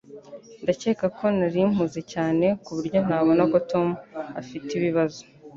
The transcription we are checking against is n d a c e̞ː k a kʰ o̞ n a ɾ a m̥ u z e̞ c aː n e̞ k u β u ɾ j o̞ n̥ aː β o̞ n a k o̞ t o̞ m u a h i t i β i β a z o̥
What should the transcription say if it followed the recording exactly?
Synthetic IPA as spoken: n d a c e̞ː k a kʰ o̞ n a ɾ i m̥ u z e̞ c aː n e̞ k u β u ɾ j o̞ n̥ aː β o̞ n a k o̞ t o̞ m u a f i t i β i β a z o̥